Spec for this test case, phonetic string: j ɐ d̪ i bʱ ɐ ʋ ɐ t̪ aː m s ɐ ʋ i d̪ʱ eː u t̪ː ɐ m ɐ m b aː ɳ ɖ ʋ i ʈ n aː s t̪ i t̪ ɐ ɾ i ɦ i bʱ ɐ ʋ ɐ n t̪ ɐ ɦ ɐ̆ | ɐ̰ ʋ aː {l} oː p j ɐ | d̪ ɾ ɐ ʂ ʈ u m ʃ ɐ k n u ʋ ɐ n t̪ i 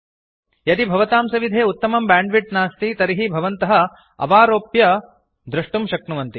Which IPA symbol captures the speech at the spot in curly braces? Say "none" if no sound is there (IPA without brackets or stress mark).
ɾ